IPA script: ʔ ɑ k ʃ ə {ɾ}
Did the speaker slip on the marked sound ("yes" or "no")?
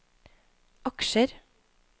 no